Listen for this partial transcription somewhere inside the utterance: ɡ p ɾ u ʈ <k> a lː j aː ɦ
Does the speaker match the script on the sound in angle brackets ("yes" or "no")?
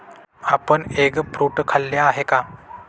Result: no